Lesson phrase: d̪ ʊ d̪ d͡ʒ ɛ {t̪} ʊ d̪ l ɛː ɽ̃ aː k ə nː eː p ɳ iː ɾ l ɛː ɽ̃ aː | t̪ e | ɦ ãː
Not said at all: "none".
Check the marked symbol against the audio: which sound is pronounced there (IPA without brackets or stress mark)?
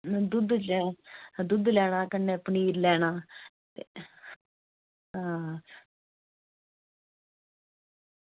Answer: d̪